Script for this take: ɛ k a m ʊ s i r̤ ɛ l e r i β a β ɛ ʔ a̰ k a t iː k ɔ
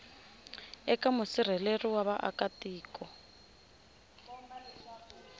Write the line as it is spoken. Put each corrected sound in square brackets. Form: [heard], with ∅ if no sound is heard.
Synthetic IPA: ɛ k a m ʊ s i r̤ ɛ l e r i [w] a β [a] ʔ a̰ k a t iː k ɔ